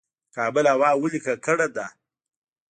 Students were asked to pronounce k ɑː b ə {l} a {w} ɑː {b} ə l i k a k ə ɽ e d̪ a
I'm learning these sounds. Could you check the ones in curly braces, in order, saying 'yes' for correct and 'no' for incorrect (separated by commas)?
yes, yes, no